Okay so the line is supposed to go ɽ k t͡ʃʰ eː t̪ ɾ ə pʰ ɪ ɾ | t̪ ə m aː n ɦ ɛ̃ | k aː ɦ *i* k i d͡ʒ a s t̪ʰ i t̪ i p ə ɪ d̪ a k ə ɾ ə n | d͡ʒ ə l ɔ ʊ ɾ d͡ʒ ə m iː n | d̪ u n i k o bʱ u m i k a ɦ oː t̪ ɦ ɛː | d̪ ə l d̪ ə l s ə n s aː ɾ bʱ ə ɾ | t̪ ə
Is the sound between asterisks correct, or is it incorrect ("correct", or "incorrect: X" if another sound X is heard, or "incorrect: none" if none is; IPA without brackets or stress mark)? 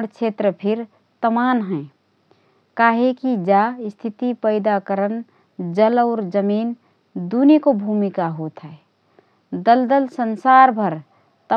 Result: incorrect: e